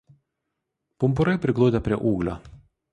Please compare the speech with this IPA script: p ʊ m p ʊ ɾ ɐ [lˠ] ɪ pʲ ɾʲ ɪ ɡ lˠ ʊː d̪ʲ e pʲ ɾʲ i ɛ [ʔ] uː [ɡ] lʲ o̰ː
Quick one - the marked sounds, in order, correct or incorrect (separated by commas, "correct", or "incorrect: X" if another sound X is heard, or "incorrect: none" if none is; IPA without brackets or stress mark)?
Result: incorrect: none, correct, correct